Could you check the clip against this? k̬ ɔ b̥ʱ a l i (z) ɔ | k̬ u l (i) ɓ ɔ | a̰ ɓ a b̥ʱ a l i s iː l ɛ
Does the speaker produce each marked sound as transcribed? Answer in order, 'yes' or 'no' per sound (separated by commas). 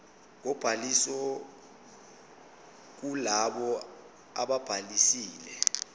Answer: no, no